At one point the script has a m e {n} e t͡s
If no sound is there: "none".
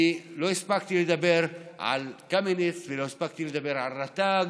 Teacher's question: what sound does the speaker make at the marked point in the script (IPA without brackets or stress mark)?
n